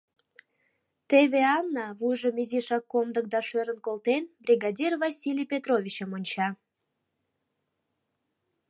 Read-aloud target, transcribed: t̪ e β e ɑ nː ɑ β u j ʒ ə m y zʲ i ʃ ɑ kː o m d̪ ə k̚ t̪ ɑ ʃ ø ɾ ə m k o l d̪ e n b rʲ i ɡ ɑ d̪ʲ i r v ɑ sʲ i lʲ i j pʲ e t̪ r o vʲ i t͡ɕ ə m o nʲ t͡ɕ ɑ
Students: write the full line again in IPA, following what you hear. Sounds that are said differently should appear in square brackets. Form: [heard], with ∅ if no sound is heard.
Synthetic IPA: t̪ e β e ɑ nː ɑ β u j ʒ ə m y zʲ i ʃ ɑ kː o m d̪ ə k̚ [d̪] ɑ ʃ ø ɾ ə [n] k o l [t̪] e n b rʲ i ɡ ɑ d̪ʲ i r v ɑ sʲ i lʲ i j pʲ e t̪ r o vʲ i t͡ɕ ə m o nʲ t͡ɕ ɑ